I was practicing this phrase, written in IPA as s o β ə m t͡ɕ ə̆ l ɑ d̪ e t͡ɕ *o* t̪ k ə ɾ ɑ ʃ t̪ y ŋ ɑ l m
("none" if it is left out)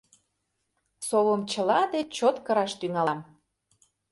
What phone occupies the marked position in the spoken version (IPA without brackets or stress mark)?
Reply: o